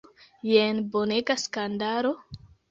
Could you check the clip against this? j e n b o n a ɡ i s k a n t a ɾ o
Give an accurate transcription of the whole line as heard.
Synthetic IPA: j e n b o n e ɡ a s k a n d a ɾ o